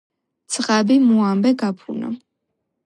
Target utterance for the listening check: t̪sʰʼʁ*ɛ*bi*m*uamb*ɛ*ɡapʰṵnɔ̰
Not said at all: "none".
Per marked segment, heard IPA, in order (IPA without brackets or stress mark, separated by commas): a, m, ɛ